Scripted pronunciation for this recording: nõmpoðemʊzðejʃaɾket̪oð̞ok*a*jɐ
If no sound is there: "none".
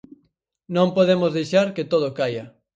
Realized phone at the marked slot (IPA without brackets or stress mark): a